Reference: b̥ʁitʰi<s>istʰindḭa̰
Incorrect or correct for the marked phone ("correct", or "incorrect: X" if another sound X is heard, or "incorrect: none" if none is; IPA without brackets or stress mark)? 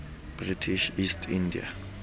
incorrect: ʃ